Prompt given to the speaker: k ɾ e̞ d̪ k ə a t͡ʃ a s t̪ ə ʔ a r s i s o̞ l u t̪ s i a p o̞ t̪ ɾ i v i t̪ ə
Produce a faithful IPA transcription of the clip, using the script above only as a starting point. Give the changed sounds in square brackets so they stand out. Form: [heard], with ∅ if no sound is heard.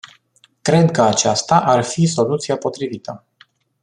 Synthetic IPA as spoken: k ɾ e̞ d̪ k ə a t͡ʃ a s t̪ [a] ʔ a r [f] i s o̞ l u t̪ s i a p o̞ t̪ ɾ i v i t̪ ə